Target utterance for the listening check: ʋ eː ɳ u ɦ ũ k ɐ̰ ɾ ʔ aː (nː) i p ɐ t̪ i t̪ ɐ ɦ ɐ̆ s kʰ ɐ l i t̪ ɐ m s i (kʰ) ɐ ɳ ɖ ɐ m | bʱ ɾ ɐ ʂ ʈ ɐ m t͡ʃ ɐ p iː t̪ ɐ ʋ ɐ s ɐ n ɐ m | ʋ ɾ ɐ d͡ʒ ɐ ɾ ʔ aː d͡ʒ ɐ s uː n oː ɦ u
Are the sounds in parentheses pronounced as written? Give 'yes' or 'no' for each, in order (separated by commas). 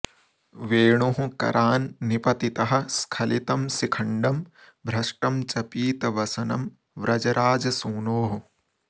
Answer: yes, yes